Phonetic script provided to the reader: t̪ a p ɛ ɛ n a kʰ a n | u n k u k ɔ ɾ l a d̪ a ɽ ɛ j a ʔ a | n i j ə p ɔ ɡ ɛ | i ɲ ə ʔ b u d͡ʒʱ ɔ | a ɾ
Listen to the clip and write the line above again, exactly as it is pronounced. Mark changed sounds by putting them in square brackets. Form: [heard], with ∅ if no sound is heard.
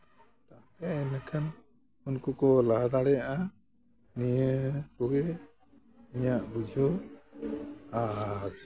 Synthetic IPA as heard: t̪ a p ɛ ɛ n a kʰ a n | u n k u k ɔ [∅] l a d̪ a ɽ ɛ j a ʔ a | n i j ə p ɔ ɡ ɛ | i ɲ [a] ʔ b u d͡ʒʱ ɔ | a ɾ